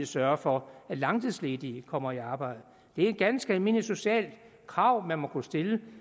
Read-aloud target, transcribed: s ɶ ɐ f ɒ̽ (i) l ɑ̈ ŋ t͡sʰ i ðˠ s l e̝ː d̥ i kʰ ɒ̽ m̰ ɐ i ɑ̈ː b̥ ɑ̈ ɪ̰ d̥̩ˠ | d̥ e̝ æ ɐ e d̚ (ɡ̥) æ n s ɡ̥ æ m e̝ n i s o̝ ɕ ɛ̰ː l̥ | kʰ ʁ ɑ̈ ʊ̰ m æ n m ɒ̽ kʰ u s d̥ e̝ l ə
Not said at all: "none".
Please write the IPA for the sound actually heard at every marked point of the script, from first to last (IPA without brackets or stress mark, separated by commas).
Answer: æ, ɡ̥